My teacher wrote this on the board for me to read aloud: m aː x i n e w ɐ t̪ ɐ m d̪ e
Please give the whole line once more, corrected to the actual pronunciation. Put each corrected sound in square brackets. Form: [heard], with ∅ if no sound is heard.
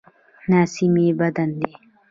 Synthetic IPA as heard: [n] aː [s] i [m] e [b] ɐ [d̪] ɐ [n] d̪ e